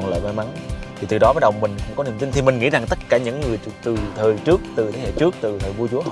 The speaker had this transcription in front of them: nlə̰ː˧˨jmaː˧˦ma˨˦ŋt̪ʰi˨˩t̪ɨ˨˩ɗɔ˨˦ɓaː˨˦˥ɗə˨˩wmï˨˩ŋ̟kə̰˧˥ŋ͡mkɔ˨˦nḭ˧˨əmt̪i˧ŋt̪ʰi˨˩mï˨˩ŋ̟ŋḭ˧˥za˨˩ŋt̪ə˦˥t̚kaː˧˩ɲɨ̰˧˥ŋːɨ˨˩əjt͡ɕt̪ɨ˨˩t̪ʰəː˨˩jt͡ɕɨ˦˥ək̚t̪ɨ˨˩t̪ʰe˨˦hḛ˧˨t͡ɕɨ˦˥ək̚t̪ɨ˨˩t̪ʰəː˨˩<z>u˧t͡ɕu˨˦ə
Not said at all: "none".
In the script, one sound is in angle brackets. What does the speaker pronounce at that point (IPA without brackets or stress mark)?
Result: v